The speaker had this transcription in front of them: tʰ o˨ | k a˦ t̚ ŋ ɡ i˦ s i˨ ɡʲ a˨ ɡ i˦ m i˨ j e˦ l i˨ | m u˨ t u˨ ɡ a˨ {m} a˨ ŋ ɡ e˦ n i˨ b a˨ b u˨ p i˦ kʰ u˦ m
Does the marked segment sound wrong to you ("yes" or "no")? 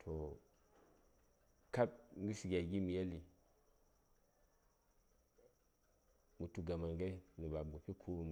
no